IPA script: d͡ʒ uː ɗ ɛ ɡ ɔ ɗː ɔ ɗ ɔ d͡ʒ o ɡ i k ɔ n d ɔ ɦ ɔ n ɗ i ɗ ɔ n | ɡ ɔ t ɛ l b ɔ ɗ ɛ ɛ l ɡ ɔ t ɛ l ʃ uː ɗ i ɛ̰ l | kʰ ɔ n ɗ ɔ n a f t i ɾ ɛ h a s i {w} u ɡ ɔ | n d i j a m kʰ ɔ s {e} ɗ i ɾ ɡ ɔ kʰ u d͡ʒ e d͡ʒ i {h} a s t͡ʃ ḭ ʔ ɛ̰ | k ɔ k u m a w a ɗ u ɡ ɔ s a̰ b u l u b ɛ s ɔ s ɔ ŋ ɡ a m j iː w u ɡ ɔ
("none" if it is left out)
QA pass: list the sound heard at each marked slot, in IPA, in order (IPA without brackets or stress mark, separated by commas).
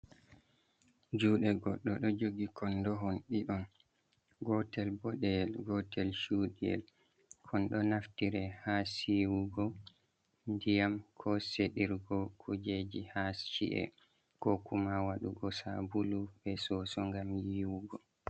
w, e, h